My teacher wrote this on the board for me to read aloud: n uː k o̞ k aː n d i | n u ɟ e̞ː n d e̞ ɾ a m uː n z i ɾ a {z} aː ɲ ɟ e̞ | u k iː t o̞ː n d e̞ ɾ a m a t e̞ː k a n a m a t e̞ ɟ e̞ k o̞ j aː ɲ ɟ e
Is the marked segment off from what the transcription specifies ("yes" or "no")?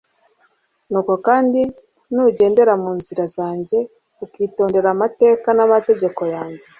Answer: no